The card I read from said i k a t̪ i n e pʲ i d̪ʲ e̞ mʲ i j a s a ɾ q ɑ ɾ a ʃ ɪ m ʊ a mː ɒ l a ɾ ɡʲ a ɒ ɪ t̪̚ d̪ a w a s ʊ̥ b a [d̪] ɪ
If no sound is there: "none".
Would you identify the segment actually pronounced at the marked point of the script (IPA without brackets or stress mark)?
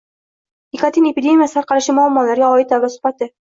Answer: t̪